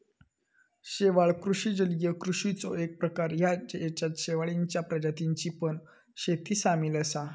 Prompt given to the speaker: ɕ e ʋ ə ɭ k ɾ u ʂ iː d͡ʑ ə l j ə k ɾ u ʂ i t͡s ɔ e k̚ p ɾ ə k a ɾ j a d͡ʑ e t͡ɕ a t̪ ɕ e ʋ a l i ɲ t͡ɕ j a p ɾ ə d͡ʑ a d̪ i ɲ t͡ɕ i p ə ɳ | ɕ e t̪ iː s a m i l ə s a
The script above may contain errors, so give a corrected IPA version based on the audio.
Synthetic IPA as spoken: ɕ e ʋ a ɭ k ɾ u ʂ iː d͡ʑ ə l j ə k ɾ u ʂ i t͡s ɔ e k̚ p ɾ ə k a ɾ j a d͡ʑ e t͡ɕ a t̪ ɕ e ʋ a ɭ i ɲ t͡ɕ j a p ɾ ə d͡ʑ a t̪ i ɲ t͡ɕ i p ə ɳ | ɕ e t̪ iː s a m i l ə s a